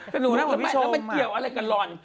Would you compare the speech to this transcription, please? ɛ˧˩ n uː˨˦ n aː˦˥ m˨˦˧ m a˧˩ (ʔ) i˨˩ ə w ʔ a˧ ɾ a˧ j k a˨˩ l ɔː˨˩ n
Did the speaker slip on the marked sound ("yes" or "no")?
yes